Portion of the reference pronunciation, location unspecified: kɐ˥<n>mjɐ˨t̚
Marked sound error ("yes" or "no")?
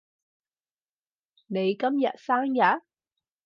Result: yes